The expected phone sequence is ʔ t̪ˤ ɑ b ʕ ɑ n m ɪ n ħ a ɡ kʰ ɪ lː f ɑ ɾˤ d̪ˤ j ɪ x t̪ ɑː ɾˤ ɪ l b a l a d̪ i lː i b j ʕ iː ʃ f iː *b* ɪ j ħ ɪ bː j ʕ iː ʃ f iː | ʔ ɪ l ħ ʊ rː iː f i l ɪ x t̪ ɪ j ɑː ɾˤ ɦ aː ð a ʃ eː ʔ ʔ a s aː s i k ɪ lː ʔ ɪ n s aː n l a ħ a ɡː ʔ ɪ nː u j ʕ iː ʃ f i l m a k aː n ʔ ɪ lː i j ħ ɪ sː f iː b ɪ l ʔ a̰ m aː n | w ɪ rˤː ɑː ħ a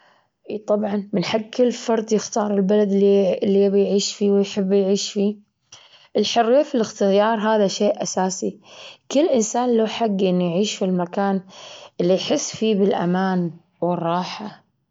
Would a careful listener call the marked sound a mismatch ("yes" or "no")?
yes